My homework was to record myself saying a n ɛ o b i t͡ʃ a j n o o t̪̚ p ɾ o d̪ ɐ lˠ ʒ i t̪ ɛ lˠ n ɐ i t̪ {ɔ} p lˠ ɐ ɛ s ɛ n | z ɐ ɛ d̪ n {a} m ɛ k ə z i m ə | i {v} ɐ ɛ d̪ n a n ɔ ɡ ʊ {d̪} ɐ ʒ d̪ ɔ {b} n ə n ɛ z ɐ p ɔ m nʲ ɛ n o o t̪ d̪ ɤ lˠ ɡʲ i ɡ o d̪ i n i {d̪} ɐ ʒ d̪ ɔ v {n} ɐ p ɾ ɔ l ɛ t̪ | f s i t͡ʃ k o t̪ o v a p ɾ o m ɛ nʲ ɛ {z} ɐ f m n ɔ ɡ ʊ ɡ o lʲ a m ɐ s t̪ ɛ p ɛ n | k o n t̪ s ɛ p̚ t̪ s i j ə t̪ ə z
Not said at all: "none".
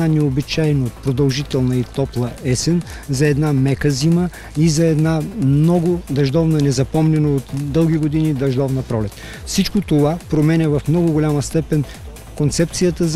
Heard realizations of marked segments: ɔ, a, z, d̪, v, d̪, n, v

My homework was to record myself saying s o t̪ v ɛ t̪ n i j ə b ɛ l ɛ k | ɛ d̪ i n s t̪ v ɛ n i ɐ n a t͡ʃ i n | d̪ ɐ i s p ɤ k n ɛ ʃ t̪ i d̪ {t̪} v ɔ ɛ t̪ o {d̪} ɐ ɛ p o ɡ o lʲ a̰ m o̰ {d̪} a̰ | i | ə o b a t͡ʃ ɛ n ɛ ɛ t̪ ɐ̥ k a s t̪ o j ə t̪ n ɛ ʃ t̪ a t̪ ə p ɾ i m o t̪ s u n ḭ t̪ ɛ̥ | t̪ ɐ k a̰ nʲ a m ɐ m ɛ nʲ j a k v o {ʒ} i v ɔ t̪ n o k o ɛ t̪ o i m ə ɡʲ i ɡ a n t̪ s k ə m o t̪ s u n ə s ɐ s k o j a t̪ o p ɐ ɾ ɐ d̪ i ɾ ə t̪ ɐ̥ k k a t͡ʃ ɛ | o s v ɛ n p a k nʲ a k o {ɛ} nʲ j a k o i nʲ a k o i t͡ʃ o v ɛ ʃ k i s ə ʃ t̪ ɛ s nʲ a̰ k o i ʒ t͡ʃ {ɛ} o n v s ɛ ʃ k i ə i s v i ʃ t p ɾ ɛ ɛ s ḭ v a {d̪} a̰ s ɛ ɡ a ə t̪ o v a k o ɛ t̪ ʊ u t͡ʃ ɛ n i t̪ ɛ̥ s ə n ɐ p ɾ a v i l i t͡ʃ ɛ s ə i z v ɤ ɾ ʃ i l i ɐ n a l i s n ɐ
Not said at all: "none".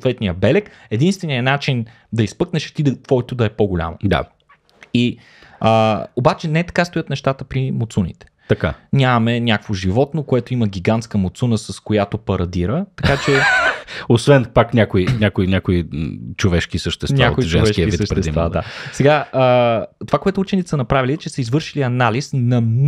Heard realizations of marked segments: t̪, d̪, d̪, ʒ, i, ɛ, d̪

